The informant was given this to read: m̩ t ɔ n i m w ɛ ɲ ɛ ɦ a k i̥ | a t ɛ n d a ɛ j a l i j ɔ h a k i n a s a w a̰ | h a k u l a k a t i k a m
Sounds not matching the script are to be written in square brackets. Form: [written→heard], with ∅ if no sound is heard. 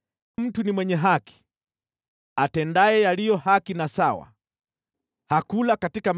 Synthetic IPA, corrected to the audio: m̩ t [ɔ→u] n i m w ɛ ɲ ɛ ɦ a k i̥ | a t ɛ n d a ɛ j a l i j ɔ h a k i n a s a w a̰ | h a k u l a k a t i k a m